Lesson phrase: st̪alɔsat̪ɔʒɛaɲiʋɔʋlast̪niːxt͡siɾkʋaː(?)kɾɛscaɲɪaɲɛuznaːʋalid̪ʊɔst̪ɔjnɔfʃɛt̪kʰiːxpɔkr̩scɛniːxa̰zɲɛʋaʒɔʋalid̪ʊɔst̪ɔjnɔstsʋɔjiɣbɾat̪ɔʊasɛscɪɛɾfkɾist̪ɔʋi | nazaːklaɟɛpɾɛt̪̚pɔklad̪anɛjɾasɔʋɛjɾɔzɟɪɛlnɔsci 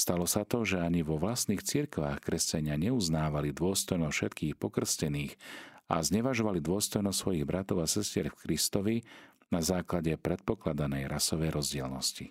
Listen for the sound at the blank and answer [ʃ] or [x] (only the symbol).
x